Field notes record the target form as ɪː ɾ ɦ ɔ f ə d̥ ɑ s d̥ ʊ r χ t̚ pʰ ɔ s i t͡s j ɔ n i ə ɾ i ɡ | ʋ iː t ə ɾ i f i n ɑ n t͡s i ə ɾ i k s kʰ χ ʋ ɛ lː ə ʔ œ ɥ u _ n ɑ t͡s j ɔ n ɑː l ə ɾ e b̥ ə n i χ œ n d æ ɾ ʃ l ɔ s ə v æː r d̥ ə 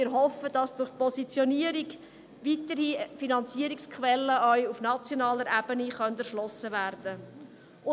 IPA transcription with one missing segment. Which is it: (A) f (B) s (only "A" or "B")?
A